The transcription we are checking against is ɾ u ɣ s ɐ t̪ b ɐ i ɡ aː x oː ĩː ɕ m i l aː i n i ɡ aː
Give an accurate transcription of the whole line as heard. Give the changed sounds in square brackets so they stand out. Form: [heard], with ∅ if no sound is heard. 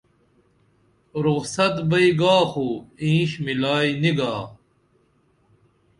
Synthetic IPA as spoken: ɾ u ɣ s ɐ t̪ b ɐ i ɡ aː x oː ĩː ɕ m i l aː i n i ɡ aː